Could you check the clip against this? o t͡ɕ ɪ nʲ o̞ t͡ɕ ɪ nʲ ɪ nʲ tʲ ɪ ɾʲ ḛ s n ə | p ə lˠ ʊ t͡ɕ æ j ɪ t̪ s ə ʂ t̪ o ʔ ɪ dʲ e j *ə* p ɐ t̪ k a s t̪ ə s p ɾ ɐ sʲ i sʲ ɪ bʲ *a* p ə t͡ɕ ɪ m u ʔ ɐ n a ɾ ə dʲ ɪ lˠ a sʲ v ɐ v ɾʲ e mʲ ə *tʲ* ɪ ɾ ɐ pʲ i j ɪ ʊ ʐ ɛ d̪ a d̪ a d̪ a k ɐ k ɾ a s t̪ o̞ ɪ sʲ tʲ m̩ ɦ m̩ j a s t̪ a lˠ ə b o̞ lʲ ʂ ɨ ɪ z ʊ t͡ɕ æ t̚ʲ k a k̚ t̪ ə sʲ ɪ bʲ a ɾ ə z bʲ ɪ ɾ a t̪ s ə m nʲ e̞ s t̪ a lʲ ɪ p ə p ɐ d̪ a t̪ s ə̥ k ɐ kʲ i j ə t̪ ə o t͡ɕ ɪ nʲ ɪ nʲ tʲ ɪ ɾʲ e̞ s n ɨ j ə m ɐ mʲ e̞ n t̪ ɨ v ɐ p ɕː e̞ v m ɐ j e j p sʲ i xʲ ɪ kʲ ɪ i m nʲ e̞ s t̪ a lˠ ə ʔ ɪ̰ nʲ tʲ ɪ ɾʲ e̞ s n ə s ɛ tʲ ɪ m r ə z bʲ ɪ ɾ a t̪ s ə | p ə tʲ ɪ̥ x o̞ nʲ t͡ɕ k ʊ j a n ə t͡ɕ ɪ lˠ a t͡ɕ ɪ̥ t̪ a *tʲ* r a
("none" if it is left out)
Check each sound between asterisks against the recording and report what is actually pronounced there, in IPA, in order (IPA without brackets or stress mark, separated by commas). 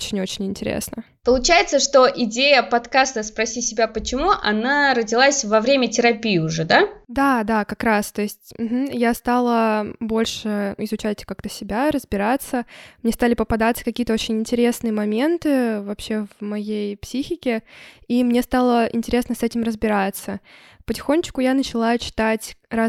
ə, a, tʲ, tʲ